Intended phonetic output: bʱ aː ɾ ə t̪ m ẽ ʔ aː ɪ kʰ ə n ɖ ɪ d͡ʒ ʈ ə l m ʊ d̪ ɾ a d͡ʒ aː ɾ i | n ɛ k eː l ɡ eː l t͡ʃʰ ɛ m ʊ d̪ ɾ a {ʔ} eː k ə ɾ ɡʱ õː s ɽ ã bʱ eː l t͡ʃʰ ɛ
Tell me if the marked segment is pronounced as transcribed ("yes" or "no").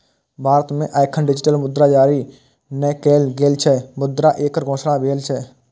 yes